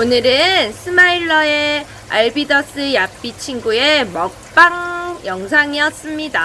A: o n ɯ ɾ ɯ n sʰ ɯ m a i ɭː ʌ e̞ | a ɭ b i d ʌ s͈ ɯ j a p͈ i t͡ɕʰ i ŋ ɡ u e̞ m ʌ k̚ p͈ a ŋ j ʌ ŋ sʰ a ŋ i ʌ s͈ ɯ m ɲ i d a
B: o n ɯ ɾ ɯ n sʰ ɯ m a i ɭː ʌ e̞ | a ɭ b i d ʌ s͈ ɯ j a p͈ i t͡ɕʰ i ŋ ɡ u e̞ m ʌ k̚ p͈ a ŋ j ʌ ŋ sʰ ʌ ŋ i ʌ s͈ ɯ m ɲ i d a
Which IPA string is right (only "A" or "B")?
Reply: A